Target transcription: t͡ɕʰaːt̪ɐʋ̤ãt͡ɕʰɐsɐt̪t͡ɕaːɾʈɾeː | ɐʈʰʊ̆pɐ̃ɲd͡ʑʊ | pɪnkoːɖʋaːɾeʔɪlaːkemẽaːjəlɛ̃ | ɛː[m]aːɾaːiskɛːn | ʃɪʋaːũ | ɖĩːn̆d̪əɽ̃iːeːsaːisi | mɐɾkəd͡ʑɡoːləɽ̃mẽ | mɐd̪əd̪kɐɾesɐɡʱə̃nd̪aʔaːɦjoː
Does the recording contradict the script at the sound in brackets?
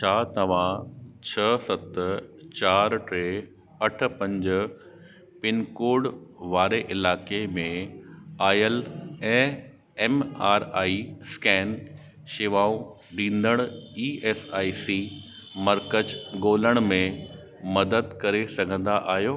no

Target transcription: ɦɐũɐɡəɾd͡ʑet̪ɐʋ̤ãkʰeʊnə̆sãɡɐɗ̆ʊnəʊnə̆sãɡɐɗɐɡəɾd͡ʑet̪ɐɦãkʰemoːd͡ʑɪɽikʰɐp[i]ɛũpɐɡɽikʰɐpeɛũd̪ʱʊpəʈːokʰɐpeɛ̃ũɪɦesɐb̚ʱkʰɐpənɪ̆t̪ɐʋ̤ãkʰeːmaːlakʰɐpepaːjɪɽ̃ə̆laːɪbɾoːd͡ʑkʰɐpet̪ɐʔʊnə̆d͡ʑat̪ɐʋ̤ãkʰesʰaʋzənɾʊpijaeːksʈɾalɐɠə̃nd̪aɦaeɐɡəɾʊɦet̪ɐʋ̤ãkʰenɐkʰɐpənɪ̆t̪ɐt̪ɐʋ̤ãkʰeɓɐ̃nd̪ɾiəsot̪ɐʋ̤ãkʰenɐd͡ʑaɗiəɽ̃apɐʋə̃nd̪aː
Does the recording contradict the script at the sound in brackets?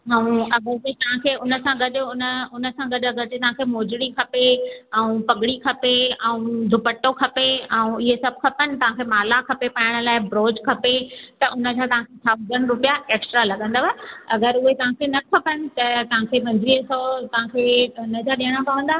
yes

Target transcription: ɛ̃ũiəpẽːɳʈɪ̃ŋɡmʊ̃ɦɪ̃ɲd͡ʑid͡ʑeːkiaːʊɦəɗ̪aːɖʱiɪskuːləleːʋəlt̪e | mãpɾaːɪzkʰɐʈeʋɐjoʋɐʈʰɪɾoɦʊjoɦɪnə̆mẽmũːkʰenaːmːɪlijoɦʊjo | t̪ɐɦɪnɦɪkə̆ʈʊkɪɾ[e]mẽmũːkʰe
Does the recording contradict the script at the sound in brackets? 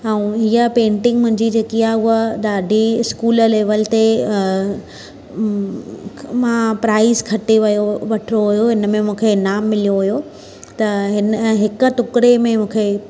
no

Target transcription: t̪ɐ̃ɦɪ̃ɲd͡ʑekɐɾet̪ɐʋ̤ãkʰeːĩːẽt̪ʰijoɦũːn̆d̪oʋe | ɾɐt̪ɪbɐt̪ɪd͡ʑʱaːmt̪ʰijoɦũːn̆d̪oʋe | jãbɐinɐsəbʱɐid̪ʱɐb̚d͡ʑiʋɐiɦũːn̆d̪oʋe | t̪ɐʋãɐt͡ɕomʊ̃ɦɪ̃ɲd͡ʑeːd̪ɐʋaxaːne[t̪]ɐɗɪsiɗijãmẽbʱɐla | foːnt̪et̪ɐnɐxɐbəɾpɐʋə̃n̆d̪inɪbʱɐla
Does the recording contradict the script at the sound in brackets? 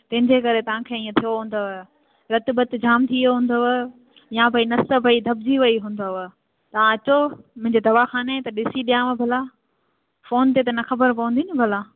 no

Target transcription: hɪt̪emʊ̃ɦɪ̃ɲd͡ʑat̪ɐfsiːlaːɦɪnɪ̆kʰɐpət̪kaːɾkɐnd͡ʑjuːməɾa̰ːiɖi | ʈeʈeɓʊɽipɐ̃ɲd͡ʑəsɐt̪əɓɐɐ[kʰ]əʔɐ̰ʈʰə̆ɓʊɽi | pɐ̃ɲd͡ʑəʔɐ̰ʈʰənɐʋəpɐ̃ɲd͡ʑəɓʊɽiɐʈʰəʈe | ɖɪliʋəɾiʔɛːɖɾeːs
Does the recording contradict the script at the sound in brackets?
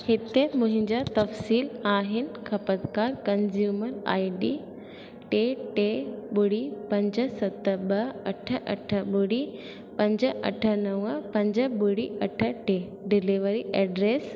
yes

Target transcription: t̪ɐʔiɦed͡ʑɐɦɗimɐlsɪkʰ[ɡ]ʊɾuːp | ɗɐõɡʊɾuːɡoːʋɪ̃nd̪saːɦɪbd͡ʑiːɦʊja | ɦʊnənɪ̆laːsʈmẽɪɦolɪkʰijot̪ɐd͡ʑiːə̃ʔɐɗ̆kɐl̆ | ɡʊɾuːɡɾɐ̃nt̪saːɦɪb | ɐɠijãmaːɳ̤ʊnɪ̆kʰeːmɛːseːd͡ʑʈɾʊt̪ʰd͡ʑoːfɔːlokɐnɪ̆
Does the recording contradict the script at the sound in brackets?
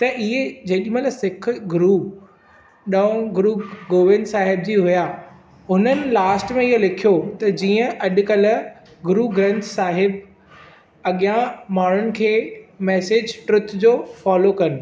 no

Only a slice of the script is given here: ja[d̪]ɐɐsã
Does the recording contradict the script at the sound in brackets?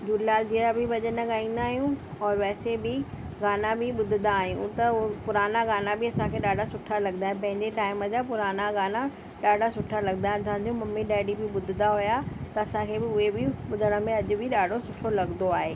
yes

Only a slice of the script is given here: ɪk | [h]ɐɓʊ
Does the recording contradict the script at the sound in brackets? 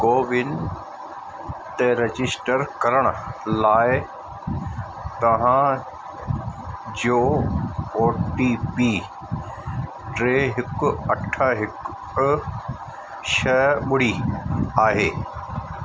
yes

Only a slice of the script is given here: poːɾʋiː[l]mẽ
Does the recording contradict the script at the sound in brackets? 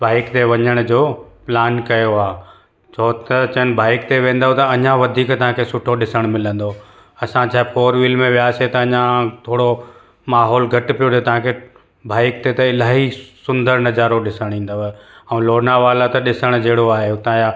no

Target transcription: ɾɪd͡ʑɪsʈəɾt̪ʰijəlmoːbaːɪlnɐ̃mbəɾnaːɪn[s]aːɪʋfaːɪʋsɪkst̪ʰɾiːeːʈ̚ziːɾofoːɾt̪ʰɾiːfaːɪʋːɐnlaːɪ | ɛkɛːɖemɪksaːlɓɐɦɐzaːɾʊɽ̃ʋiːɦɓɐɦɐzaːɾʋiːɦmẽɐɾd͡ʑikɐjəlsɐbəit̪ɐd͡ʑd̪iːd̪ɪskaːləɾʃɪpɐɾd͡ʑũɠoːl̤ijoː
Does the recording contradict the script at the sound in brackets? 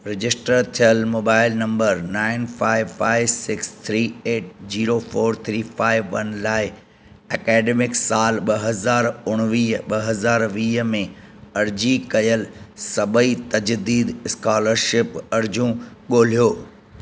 yes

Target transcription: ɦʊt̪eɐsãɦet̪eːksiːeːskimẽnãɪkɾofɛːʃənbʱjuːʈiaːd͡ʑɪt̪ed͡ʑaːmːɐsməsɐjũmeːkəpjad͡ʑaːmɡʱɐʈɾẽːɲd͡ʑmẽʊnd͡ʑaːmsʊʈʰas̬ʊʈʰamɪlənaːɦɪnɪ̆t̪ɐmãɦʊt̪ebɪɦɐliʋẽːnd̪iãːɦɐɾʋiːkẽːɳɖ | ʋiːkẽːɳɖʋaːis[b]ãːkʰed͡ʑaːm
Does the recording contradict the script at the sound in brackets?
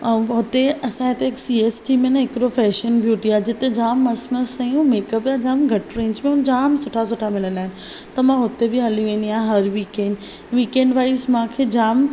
yes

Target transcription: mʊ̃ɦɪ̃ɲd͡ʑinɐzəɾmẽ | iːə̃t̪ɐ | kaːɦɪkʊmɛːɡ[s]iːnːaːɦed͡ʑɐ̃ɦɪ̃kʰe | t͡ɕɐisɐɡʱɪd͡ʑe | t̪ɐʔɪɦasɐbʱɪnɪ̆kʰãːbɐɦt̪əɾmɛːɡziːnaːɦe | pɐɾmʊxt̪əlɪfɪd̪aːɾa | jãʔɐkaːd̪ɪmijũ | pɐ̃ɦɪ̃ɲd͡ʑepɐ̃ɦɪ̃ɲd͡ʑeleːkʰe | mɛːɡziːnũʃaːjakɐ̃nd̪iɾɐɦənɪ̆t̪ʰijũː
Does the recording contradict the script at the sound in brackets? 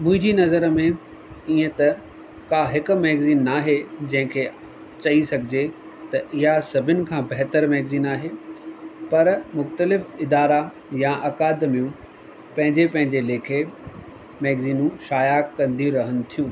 yes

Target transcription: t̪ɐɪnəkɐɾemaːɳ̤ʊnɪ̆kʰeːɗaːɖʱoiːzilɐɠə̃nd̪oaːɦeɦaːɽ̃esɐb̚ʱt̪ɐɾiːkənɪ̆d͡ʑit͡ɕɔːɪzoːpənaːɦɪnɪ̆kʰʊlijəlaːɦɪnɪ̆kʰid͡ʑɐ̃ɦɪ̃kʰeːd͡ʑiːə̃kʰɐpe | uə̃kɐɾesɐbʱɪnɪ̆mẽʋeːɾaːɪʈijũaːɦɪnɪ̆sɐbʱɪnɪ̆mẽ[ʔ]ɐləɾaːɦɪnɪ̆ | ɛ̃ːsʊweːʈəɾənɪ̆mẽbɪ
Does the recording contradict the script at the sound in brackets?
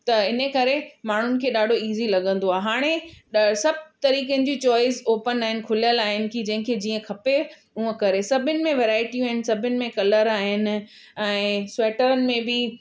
yes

